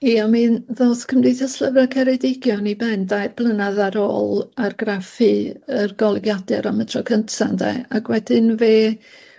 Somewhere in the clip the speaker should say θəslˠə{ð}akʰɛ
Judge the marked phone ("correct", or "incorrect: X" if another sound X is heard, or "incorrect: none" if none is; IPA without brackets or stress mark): incorrect: v